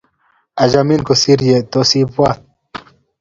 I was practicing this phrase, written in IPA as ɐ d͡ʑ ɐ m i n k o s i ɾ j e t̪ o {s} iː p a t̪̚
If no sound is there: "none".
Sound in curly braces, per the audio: s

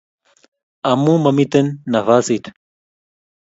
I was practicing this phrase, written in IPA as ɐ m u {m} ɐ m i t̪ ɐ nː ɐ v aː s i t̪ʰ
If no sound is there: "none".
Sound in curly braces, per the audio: m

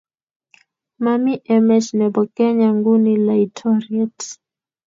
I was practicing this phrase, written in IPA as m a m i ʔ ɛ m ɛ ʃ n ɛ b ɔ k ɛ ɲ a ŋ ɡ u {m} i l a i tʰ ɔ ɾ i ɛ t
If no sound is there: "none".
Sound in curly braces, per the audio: n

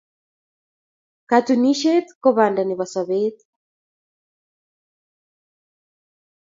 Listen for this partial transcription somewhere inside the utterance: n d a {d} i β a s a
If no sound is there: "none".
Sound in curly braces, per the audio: n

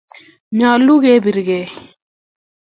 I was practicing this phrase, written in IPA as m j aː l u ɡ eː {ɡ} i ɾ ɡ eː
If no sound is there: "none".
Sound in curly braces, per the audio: b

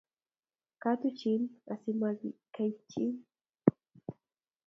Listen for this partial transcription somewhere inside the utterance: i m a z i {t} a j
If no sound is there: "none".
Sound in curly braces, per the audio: k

